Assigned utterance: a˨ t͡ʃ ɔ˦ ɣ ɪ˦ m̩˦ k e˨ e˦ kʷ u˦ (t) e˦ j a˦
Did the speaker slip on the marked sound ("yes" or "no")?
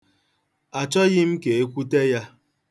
no